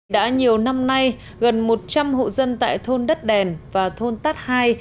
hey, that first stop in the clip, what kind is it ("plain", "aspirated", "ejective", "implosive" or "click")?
implosive